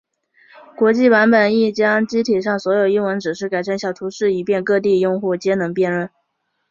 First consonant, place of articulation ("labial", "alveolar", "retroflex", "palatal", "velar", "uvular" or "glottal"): velar